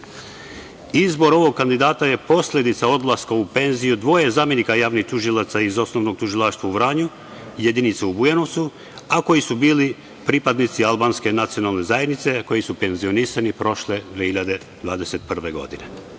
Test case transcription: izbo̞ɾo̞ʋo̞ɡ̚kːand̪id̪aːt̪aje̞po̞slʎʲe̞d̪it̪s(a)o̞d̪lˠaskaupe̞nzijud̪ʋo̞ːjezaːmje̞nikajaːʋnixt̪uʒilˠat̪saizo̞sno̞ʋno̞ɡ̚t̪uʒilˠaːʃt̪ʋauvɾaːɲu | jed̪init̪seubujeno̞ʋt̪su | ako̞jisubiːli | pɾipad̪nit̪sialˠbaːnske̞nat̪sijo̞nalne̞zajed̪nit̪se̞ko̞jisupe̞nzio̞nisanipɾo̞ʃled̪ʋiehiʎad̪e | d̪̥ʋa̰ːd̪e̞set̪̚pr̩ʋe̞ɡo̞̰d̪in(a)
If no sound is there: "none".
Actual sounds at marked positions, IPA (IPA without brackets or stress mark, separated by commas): a, e